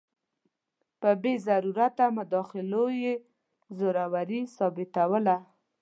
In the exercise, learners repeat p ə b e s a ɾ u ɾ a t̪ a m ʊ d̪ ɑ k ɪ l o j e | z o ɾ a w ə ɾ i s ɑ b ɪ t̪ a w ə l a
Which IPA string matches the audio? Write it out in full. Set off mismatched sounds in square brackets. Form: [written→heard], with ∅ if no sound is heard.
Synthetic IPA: p ə b e [s→z] a ɾ u ɾ a t̪ a m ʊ d̪ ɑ [k→x] ɪ l o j e | z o ɾ a w [ə→a] ɾ i s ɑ b ɪ t̪ a w ə l a

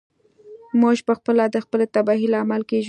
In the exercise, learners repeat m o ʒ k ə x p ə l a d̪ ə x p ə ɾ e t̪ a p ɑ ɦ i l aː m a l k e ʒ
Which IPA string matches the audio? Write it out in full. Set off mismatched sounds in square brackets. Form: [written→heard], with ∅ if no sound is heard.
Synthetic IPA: m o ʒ [k→p] ə x p ə l a d̪ ə x p ə [ɾ→l] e t̪ a [p→b] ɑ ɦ i l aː m a l k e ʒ

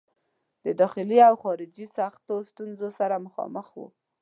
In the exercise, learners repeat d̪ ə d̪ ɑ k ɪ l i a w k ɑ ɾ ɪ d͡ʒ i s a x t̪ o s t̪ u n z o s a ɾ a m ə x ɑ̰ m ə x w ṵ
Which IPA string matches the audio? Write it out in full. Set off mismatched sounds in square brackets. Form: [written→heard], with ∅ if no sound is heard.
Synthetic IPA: d̪ ə d̪ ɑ [k→x] ɪ l i a w [k→x] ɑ ɾ ɪ d͡ʒ i s a x t̪ o s t̪ u n z o s a ɾ a m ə x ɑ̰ m ə x w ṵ

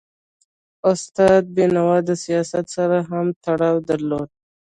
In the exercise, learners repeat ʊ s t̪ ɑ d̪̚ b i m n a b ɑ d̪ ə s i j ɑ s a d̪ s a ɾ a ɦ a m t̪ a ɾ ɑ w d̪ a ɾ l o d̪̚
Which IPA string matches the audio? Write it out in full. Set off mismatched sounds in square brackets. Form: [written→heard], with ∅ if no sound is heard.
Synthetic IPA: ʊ s t̪ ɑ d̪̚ b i [m→∅] n a [b→w] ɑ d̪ ə s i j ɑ s a [d̪→t̪] s a ɾ a ɦ a m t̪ a [ɾ→ɽ] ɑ w d̪ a ɾ l o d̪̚

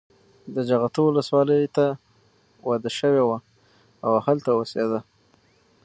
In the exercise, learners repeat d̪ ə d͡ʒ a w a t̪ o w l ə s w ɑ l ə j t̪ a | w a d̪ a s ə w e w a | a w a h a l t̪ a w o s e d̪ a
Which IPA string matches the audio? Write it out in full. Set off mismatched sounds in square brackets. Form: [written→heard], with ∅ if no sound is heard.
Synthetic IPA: d̪ ə d͡ʒ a [w→ɣ] a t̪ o w l ə s w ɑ l ə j t̪ a | w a d̪ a [s→ʃ] ə w e w a | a w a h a l t̪ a w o s e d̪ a

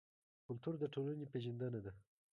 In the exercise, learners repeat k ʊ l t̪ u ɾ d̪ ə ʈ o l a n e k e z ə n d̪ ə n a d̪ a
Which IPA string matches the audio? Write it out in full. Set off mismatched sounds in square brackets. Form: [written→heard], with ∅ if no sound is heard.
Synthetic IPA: k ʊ l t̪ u ɾ d̪ ə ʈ o l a n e [k→p] e [z→ʒ] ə n d̪ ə n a d̪ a

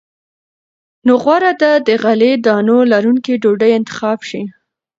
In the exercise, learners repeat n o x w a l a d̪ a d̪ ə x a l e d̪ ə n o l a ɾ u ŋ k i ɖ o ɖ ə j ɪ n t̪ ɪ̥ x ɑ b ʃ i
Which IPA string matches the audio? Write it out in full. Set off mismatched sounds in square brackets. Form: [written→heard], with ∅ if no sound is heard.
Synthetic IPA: n o [x→ɣ] w a [l→ɾ] a d̪ a d̪ ə [x→ɣ] a l e d̪ [ə→ɑ] n o l a ɾ u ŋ k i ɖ o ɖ ə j ɪ n t̪ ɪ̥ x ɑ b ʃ i

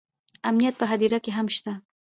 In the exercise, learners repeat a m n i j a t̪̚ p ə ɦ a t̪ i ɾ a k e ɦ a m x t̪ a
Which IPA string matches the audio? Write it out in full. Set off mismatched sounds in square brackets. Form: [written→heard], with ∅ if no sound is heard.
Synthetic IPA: a m n i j a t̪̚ p ə ɦ a [t̪→d̪] i ɾ a k e ɦ a m [x→ʃ] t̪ a

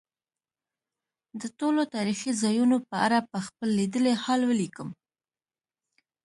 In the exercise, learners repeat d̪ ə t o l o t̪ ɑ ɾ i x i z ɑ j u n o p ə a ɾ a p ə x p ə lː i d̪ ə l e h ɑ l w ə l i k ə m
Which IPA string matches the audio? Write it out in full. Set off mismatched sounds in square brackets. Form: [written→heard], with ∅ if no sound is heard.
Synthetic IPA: d̪ ə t o l o t̪ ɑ ɾ i x i z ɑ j u n o p ə a ɾ a p ə x p ə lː i d̪ ə l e h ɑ l w ə l i k ə m

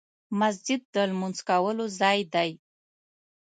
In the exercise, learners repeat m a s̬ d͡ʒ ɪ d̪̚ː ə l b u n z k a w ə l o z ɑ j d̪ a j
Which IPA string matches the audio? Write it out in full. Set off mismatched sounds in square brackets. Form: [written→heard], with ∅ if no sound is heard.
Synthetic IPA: m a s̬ d͡ʒ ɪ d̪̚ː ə l [b→m] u n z k a w ə l o z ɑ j d̪ a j

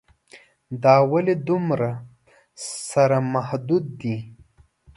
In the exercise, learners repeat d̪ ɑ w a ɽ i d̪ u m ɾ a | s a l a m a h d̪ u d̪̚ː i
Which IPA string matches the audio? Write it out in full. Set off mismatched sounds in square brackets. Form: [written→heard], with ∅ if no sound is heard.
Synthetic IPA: d̪ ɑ w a [ɽ→l] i d̪ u m ɾ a | s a [l→ɾ] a m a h d̪ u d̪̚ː i

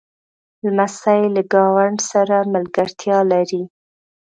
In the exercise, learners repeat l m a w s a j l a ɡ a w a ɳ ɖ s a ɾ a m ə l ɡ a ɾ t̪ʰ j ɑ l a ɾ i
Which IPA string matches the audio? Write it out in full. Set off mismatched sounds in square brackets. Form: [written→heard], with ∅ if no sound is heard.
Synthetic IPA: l m a [w→∅] s a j l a ɡ [a→ɑ] w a ɳ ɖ s a ɾ a m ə l ɡ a ɾ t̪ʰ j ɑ l a ɾ i

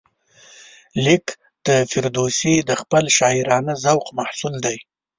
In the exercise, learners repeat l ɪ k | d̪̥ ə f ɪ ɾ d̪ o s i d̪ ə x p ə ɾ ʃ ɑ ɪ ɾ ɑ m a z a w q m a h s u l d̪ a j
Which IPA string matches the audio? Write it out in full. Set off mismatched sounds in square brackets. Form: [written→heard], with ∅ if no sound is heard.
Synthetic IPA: l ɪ k | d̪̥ ə f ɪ ɾ d̪ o s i d̪ ə x p ə [ɾ→l] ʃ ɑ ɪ ɾ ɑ [m→n] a z a w q m a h s u l d̪ a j

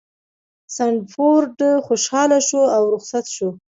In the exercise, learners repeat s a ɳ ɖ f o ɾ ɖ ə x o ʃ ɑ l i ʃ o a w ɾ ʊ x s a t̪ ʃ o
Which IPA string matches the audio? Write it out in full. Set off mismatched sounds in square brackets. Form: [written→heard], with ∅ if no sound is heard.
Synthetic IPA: s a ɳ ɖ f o ɾ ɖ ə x o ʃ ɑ l [i→a] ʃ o a w ɾ ʊ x s a t̪ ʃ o

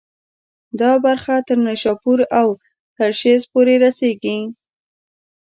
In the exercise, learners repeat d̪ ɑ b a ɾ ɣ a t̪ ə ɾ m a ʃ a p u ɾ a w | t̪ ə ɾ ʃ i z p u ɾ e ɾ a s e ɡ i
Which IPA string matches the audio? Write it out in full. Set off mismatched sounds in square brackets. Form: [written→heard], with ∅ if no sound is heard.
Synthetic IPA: d̪ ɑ b a ɾ [ɣ→x] a t̪ ə ɾ [m→n] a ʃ [a→ɑ] p u ɾ a w | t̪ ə ɾ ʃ [i→e] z p [u→o] ɾ e ɾ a s e ɡ i

